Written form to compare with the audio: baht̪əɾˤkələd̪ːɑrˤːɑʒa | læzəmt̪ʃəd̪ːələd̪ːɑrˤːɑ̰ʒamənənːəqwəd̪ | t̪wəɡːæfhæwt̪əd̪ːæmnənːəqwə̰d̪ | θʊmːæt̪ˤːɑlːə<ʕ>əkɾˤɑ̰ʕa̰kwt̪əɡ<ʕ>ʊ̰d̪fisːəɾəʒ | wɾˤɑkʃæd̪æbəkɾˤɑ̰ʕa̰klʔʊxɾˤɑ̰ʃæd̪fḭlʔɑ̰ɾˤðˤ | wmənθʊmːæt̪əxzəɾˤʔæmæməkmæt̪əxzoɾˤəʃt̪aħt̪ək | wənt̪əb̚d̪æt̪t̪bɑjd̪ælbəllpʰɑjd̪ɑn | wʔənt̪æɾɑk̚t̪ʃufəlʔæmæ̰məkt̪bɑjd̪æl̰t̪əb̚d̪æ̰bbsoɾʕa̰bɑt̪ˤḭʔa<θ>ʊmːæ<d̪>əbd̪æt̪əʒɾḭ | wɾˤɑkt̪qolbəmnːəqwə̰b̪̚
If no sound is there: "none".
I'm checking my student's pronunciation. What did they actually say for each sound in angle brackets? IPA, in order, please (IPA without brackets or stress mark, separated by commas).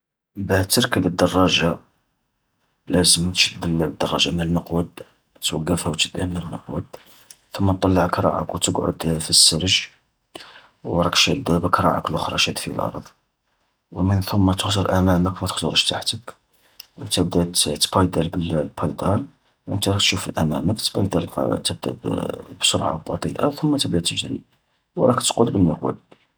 ʕ, ʕ, θ, t̪